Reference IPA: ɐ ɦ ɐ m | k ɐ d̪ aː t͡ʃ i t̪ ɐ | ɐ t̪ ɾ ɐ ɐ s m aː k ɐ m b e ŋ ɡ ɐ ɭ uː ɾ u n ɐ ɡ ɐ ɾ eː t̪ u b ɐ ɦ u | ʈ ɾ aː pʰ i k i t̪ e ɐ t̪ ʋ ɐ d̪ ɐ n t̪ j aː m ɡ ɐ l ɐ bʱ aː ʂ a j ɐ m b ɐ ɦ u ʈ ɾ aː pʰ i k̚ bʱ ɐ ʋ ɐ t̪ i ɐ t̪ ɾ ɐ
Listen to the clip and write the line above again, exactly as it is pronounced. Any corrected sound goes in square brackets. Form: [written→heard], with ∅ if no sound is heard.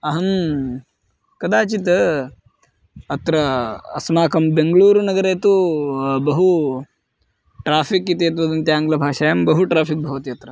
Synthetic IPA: ɐ ɦ ɐ m | k ɐ d̪ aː t͡ʃ i t̪ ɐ | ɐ t̪ ɾ ɐ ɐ s m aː k ɐ m b e ŋ ɡ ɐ ɭ uː ɾ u n ɐ ɡ ɐ ɾ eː t̪ u b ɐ ɦ u | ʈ ɾ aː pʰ i k i t̪ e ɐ t̪ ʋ ɐ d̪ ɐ n t̪ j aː [m→ŋ] ɡ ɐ l ɐ bʱ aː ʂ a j ɐ m b ɐ ɦ u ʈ ɾ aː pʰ i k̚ bʱ ɐ ʋ ɐ t̪ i ɐ t̪ ɾ ɐ